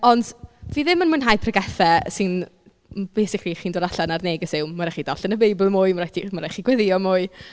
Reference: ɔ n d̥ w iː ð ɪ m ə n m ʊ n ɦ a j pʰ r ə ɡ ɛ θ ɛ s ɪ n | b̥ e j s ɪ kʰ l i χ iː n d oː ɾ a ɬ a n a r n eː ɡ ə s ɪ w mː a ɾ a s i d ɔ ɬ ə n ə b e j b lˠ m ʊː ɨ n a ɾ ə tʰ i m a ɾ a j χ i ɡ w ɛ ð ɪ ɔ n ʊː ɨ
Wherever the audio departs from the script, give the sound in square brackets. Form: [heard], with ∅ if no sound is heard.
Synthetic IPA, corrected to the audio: ɔ n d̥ [v] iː ð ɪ m ə n m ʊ n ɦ a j pʰ r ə ɡ ɛ θ ɛ s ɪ n | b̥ e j s ɪ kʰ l i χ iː n d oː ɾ a ɬ a n a r n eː ɡ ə s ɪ w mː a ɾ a [χ] i d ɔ ɬ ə n ə b e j b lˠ m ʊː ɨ [m] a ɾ [a] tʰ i m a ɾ a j χ i ɡ w ɛ ð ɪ ɔ [m] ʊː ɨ